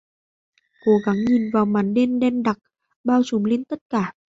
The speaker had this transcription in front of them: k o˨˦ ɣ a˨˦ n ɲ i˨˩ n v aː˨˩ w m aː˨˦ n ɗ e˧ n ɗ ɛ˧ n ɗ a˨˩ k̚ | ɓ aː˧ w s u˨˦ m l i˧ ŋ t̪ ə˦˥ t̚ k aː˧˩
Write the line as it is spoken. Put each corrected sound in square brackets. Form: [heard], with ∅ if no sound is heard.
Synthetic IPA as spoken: k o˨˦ ɣ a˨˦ [ŋ] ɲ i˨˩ n v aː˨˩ w m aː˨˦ n ɗ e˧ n ɗ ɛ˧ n ɗ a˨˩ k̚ | ɓ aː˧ w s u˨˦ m l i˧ [n] t̪ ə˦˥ t̚ k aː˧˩